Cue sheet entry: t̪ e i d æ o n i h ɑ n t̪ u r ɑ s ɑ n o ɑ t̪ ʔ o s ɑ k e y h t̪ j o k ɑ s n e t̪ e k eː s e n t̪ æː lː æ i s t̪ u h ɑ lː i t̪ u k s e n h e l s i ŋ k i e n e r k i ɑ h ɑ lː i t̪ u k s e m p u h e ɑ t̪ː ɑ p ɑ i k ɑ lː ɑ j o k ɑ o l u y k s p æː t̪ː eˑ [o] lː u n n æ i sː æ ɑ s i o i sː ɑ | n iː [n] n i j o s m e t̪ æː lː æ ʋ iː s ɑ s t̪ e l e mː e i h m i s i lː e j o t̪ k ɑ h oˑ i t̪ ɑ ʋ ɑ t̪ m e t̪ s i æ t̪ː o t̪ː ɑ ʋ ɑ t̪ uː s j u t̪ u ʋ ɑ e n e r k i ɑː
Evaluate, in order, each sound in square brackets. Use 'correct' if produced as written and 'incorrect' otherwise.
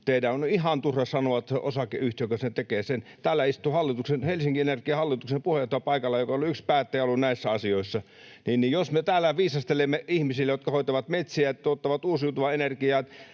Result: correct, correct

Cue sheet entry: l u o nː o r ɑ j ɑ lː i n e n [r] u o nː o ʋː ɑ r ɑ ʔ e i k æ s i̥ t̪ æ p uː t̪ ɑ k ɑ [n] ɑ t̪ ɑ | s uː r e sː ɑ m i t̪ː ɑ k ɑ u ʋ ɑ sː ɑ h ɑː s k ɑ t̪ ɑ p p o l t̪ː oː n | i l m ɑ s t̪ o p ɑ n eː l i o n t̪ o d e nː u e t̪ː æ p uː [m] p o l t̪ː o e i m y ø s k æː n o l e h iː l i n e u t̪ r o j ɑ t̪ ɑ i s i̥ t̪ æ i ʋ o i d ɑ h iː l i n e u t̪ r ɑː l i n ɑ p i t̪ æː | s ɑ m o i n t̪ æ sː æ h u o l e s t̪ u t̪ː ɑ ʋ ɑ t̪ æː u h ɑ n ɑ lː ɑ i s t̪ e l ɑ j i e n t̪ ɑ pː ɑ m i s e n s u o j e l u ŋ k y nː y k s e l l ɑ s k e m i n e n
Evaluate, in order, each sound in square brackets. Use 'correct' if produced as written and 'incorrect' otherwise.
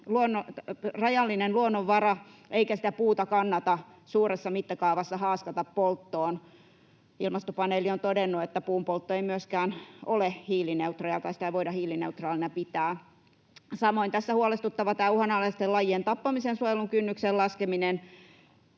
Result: incorrect: l, incorrect: nː, correct

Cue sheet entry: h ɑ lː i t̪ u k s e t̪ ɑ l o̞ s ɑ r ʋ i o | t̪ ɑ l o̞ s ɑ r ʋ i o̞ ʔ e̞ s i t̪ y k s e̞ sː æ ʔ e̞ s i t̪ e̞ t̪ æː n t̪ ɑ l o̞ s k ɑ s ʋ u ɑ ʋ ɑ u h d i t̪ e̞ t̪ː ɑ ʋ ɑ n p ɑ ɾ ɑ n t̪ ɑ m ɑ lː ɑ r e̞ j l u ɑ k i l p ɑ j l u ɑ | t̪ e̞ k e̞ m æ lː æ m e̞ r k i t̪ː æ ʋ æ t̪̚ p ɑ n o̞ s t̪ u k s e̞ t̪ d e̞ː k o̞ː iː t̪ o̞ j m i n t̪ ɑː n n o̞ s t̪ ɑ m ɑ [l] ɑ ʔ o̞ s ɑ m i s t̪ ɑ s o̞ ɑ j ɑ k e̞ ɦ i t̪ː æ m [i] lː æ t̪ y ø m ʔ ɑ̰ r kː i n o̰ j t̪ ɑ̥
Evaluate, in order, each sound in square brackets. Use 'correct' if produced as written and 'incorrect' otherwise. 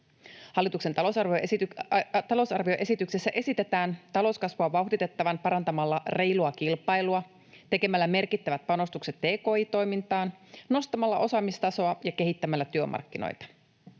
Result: incorrect: lː, incorrect: æ

